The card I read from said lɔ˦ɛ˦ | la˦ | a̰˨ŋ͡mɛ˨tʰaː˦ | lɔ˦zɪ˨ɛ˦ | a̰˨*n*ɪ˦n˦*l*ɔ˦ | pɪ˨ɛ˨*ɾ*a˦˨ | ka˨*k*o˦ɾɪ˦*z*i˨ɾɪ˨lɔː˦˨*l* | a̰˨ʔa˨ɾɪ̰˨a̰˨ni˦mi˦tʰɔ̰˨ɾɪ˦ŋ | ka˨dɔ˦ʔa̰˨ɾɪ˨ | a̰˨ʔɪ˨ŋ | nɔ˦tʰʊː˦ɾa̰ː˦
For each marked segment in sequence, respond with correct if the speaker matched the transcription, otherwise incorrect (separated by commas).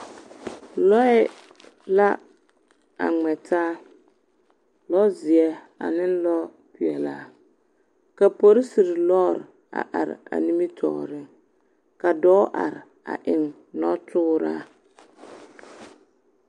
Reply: correct, correct, incorrect, incorrect, incorrect, incorrect